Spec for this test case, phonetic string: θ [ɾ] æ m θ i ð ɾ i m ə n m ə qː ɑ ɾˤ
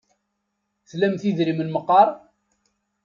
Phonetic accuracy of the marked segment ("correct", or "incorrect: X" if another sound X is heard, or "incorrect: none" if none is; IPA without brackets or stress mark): incorrect: l